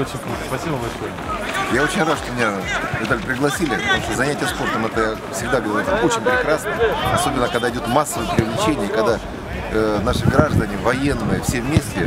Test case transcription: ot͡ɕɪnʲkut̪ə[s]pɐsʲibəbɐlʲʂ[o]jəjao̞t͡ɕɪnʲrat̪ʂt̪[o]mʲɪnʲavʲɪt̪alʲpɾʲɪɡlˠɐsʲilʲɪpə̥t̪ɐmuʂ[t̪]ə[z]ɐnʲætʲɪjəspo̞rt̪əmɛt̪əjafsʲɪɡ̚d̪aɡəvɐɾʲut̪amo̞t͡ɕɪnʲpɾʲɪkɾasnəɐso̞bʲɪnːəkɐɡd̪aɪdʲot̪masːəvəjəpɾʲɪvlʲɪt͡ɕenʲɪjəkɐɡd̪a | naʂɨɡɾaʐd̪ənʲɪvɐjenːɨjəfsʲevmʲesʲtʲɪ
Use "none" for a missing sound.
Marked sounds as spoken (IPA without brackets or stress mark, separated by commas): s, o, o, t̪, z